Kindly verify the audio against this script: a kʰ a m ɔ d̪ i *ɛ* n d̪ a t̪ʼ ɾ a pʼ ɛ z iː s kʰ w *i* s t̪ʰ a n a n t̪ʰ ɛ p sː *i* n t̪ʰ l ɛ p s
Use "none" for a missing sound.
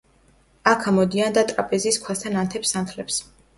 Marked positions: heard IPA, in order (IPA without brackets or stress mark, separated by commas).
a, a, a